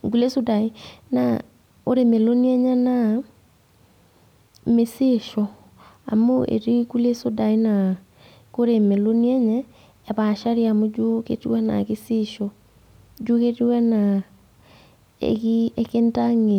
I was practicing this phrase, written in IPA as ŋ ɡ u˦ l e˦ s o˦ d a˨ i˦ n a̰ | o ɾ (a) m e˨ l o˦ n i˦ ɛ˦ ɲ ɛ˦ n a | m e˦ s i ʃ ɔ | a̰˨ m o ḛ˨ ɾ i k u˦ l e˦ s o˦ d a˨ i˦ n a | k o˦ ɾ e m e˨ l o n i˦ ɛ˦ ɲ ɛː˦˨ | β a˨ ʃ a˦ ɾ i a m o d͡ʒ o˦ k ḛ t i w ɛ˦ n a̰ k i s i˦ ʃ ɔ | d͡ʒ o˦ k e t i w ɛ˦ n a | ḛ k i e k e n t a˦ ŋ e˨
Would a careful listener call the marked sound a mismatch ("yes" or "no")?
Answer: yes